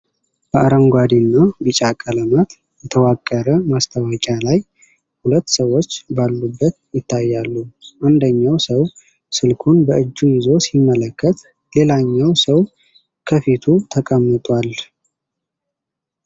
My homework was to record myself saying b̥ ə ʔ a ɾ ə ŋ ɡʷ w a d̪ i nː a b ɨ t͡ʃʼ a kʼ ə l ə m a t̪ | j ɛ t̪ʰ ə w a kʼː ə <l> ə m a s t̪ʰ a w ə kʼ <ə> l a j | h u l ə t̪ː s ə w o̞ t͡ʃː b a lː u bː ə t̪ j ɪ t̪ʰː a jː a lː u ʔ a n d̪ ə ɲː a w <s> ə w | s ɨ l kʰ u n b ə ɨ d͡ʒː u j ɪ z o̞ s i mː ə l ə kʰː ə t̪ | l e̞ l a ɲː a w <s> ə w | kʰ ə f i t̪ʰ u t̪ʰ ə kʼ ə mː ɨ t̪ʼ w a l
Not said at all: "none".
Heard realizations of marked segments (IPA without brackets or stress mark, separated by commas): ɾ, a, s, s